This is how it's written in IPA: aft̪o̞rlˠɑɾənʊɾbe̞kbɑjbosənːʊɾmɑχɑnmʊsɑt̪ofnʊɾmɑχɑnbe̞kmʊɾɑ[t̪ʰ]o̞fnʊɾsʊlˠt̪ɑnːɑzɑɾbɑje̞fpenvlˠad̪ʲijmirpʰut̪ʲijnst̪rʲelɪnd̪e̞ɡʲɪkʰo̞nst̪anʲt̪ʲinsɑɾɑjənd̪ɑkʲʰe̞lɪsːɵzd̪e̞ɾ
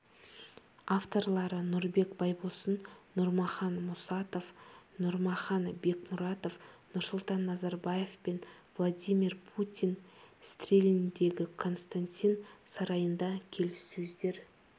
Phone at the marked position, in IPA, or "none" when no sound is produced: t̪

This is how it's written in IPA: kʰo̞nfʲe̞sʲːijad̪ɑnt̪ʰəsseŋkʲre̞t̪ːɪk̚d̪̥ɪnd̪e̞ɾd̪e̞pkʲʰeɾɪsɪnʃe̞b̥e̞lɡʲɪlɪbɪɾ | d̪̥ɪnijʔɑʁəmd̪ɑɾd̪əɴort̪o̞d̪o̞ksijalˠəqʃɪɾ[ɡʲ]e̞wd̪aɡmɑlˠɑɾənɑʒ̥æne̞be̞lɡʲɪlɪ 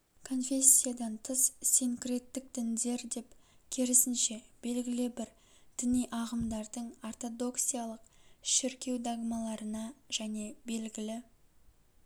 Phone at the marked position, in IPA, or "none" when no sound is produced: kʲ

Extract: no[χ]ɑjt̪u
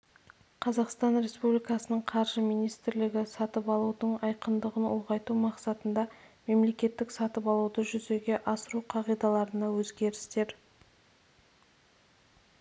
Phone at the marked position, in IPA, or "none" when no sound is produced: ʁ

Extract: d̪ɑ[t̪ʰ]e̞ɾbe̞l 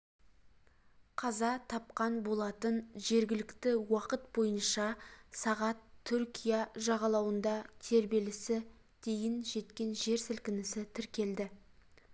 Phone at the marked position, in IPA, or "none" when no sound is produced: t̪ʰ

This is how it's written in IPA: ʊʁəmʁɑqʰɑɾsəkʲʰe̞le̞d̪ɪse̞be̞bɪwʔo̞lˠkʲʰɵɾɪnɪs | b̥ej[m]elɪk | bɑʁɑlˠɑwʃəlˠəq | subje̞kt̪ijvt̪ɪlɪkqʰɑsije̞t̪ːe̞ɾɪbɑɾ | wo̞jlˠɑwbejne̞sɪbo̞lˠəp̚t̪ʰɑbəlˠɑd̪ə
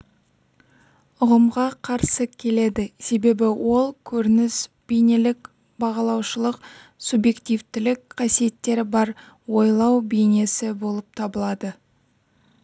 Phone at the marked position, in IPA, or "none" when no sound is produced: n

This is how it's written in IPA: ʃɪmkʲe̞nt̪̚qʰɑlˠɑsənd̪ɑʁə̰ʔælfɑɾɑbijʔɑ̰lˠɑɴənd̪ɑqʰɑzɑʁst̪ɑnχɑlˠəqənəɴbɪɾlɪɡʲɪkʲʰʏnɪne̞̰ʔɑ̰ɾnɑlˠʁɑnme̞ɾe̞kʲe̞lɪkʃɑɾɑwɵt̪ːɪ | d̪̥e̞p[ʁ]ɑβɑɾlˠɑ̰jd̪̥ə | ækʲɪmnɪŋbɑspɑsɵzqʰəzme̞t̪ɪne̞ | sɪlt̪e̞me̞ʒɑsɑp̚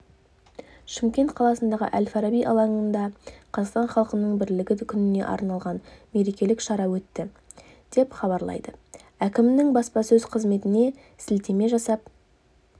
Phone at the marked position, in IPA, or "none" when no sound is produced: χ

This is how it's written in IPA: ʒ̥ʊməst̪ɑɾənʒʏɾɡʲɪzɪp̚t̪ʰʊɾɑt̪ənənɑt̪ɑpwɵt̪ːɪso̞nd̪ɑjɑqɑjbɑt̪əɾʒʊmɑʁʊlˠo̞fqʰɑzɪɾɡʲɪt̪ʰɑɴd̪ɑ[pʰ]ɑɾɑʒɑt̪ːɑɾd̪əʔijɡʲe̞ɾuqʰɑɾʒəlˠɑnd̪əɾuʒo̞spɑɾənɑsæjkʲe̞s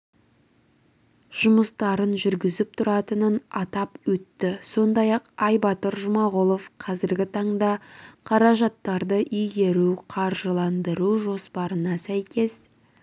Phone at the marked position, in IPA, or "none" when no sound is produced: qʰ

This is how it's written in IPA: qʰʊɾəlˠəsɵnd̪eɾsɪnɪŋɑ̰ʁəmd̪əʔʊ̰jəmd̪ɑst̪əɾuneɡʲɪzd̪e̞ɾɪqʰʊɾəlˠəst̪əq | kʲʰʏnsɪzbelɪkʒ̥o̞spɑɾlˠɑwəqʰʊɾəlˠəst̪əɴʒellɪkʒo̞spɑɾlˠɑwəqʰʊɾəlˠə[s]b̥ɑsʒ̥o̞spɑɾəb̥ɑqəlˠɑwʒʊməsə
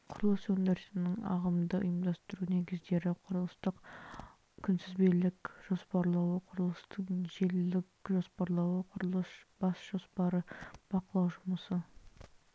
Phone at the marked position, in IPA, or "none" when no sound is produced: s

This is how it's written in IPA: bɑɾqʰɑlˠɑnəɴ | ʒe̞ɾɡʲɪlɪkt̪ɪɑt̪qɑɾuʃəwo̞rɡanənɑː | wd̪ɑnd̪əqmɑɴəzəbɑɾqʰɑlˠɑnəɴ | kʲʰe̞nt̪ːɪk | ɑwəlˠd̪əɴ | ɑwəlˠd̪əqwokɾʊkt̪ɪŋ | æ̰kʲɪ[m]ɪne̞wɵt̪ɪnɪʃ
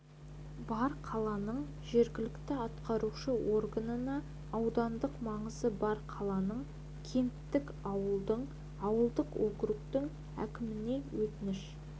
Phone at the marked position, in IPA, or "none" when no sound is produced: m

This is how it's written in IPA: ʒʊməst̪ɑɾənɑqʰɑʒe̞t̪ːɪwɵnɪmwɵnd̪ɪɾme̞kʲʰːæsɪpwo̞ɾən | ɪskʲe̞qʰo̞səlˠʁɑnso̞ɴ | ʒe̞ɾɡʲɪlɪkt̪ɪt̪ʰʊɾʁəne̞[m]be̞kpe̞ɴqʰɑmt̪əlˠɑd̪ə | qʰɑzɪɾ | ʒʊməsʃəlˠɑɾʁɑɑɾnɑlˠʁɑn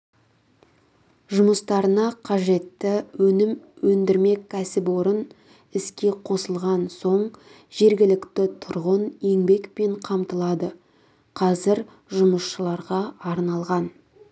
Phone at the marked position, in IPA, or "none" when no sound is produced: ŋ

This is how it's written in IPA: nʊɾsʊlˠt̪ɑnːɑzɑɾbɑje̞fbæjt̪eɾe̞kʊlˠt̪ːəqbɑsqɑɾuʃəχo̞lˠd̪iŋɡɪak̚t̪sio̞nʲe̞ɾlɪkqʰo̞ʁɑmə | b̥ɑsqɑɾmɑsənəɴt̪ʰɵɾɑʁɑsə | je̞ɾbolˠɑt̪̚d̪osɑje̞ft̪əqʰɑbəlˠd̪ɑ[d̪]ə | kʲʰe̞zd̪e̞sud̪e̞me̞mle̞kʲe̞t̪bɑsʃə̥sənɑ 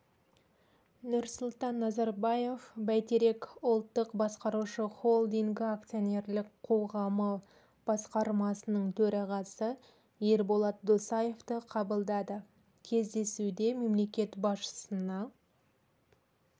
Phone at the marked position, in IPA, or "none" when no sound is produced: d̪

